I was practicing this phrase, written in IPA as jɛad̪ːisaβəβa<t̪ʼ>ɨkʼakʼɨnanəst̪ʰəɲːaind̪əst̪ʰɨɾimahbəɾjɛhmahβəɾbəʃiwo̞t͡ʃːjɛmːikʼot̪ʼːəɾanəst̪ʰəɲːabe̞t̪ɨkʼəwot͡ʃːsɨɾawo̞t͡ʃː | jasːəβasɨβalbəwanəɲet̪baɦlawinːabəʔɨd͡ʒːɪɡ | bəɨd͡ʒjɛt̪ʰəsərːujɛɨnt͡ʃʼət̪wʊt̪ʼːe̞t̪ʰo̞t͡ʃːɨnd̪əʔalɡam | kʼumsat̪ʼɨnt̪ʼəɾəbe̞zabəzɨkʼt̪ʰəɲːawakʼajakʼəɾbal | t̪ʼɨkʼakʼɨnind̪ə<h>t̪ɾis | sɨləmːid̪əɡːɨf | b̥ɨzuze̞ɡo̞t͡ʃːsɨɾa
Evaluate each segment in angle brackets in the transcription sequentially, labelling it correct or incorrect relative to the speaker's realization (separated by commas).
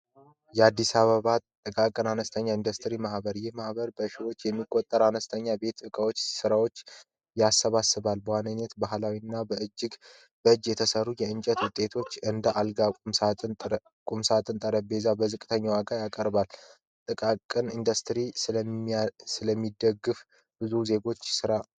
correct, incorrect